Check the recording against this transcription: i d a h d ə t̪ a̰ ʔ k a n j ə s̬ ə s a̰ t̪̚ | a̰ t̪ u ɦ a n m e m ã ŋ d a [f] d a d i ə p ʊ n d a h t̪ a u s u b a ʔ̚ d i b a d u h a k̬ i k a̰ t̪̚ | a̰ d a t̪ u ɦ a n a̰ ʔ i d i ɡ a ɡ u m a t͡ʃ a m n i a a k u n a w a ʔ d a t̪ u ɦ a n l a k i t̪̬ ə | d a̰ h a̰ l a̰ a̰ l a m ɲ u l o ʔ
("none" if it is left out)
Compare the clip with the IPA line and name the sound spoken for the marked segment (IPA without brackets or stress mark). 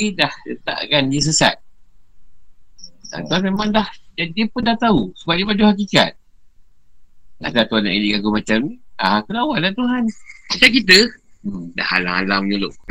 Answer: h